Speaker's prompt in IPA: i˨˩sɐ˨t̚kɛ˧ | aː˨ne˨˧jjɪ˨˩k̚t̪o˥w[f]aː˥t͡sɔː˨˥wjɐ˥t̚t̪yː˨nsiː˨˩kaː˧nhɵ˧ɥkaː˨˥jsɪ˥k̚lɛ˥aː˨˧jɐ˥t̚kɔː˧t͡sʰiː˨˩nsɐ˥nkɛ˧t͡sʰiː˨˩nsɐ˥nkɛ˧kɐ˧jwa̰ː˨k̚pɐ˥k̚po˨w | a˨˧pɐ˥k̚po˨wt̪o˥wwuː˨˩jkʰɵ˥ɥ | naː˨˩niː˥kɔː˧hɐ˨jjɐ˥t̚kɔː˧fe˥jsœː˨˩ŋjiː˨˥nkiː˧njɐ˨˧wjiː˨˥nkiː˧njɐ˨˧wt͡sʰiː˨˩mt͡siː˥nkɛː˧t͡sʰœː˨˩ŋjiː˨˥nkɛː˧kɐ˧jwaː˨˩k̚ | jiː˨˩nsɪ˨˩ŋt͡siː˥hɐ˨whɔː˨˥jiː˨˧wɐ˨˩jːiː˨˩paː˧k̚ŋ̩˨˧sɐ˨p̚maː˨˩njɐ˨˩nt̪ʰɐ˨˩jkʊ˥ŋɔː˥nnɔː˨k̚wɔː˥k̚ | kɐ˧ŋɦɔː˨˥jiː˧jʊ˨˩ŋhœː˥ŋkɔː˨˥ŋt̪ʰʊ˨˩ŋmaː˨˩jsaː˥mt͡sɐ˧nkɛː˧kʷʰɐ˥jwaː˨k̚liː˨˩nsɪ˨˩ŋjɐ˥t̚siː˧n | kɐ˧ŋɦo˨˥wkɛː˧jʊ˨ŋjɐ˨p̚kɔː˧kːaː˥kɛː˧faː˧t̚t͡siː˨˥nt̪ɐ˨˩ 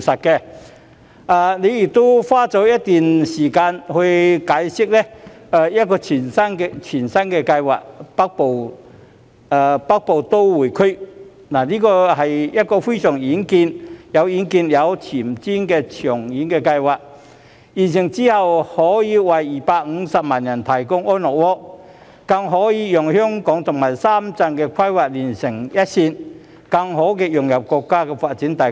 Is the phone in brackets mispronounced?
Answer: no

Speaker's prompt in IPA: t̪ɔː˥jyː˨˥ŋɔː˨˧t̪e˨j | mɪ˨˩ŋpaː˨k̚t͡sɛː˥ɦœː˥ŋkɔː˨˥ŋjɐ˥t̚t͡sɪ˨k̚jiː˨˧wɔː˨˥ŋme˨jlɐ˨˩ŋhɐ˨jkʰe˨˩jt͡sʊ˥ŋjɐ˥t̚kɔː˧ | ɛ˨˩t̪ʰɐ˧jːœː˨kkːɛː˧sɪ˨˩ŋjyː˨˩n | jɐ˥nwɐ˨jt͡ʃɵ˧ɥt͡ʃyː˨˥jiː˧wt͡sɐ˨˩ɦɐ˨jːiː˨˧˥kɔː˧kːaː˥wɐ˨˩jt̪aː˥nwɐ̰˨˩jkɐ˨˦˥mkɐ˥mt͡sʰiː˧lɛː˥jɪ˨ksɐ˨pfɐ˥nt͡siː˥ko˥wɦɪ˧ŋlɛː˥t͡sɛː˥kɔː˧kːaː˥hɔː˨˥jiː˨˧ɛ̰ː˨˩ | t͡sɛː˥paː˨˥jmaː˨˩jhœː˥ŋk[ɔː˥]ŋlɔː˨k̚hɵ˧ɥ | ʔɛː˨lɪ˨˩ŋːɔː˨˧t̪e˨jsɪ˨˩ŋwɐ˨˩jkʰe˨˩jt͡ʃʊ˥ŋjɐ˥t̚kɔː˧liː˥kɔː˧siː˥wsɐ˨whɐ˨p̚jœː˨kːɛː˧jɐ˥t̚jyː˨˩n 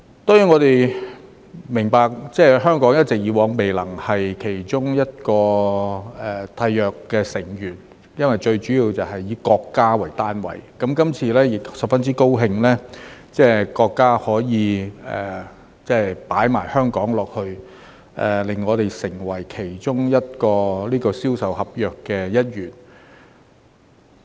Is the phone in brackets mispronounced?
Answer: yes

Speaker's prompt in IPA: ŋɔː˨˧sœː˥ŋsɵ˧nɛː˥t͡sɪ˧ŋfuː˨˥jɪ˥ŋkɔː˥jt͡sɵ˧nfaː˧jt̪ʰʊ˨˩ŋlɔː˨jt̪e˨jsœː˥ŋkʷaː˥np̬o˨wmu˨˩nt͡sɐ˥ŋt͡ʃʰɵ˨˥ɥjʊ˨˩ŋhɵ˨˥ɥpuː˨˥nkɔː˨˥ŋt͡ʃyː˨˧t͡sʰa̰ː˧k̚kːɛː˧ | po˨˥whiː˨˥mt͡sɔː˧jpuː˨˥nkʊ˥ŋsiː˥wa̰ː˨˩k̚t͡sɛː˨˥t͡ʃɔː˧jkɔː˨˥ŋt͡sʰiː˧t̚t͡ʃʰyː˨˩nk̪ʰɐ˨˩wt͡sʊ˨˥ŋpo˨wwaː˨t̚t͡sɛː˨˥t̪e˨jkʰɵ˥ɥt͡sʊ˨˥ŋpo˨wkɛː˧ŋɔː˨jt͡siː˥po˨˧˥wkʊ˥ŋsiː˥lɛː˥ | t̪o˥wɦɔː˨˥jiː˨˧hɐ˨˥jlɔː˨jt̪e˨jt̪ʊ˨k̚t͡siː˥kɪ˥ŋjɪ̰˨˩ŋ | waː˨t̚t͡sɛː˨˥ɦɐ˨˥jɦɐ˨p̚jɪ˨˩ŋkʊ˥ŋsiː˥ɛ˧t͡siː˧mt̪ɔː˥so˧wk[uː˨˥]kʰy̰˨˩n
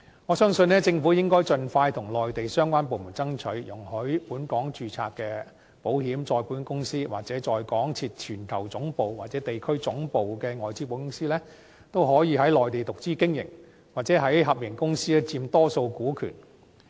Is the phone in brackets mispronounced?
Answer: no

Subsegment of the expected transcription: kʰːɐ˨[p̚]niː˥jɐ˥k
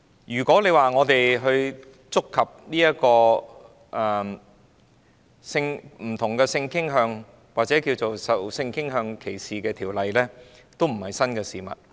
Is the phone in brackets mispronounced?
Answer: no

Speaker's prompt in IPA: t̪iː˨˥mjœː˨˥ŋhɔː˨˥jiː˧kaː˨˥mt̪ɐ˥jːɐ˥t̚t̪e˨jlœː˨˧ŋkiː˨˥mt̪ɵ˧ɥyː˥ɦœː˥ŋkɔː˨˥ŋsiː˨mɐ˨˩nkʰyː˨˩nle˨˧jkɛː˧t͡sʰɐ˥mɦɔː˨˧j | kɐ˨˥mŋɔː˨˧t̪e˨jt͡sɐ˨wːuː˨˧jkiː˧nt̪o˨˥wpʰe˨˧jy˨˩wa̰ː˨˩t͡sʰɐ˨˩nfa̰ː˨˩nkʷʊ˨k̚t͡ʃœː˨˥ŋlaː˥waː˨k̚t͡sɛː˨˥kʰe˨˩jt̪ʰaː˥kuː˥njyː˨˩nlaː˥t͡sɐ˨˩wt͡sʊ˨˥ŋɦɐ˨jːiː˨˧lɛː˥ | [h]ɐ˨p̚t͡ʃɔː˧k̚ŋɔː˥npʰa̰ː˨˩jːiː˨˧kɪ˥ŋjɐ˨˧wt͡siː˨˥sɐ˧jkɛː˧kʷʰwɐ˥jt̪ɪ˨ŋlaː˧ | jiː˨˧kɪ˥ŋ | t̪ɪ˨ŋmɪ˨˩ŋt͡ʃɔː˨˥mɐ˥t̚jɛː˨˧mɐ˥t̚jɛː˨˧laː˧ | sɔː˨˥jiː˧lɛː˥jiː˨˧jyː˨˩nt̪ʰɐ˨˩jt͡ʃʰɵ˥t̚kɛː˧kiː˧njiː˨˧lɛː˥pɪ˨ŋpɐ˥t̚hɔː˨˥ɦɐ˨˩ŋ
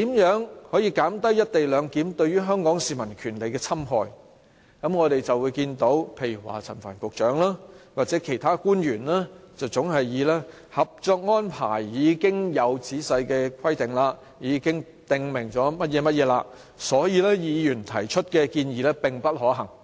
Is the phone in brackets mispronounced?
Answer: no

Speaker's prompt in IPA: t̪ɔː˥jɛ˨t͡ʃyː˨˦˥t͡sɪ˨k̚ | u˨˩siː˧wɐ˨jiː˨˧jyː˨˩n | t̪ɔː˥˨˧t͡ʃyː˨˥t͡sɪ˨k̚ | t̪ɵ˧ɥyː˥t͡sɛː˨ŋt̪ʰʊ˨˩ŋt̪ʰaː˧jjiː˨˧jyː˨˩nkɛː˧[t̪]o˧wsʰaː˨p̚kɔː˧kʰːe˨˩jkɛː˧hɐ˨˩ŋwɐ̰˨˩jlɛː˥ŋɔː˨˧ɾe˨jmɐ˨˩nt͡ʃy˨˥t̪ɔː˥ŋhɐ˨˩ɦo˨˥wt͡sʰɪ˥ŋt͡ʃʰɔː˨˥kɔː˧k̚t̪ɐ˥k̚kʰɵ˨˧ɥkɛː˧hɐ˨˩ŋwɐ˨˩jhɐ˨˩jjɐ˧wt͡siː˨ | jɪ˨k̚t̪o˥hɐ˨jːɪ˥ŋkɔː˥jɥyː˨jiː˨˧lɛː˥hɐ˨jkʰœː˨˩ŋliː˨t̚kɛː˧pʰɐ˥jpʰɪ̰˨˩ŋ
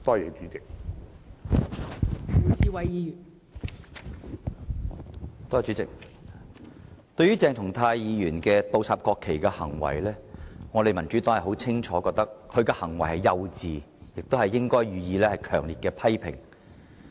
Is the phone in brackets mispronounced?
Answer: no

